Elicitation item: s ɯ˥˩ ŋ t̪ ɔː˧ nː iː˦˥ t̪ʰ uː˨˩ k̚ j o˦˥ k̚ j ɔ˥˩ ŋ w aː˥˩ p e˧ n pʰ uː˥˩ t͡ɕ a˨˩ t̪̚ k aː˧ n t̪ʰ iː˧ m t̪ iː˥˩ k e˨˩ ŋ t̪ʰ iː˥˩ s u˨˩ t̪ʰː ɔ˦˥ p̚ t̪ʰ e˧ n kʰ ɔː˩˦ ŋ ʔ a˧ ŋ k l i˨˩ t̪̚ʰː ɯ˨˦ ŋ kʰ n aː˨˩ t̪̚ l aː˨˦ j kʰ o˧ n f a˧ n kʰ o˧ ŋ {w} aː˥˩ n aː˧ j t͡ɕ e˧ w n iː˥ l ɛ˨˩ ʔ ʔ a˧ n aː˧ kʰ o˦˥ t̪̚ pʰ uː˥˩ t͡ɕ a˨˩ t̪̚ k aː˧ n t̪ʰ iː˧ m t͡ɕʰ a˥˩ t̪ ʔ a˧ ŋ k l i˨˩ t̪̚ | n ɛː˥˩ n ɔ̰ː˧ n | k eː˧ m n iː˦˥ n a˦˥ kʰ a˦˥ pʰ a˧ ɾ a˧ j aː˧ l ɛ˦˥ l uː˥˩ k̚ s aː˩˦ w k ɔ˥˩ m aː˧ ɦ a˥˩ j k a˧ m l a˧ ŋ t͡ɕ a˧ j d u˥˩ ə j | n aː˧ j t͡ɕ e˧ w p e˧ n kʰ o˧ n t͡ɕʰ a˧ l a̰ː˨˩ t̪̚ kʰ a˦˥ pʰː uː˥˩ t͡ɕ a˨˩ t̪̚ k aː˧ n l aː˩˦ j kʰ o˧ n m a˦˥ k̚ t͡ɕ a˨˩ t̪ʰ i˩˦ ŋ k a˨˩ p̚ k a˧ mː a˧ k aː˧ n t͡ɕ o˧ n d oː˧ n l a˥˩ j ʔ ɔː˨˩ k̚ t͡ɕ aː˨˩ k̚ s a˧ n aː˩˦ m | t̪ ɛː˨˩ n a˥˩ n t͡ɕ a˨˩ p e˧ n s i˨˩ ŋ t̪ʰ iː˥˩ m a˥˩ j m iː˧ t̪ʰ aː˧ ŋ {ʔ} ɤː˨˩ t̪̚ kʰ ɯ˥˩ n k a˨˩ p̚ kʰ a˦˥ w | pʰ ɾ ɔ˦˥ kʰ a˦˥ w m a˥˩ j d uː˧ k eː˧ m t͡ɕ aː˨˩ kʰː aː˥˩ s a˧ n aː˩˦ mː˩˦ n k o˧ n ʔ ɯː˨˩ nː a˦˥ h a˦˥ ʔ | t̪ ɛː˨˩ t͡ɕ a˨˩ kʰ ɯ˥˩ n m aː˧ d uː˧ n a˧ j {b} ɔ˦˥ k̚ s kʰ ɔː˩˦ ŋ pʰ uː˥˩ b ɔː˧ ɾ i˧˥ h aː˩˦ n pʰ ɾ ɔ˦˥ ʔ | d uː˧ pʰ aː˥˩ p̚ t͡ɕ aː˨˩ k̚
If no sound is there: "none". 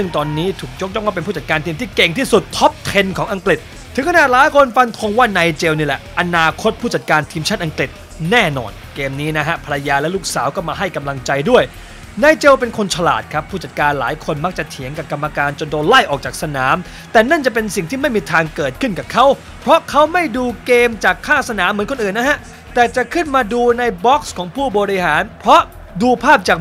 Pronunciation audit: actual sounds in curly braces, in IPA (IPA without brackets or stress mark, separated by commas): w, k, b